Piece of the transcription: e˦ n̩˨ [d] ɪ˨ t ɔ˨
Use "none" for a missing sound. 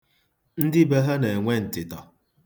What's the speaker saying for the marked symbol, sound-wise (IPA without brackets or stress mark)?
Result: t